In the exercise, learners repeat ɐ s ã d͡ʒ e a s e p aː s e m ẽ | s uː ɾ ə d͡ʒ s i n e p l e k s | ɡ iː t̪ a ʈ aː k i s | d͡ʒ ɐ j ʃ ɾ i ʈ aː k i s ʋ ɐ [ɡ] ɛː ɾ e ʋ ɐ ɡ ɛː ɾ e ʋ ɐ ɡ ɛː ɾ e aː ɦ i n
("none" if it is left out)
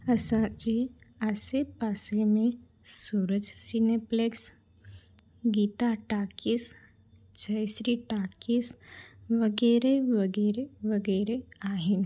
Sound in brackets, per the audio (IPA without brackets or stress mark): ɡ